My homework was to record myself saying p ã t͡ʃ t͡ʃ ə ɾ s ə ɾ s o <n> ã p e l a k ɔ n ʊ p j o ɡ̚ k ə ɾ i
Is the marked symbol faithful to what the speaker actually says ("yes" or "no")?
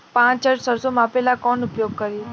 no